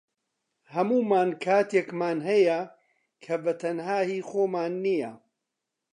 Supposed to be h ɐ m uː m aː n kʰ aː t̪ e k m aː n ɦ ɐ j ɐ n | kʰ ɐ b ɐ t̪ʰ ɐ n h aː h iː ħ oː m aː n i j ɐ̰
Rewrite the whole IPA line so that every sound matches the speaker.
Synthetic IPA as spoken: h ɐ m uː m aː n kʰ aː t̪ e k m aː n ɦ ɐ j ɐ | kʰ ɐ b ɐ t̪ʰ ɐ n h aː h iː x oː m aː nː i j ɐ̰